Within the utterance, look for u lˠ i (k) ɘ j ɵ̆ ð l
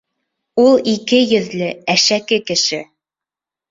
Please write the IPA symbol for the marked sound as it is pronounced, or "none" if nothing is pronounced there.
k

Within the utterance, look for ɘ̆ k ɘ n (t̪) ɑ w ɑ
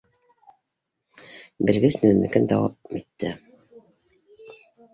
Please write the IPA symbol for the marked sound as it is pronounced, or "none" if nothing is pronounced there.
d̪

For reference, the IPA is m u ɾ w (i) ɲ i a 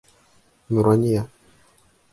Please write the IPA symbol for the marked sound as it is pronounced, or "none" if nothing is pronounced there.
a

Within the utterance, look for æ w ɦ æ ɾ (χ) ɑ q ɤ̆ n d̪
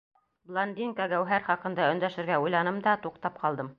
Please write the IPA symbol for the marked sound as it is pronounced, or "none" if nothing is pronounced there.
χ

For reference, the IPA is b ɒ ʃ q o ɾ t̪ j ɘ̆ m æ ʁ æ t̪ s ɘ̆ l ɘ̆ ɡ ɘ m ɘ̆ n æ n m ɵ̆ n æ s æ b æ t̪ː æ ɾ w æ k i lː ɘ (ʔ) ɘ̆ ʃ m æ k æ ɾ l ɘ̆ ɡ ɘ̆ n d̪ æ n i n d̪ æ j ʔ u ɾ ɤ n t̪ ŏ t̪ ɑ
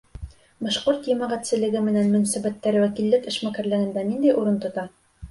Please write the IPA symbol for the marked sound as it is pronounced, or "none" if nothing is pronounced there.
k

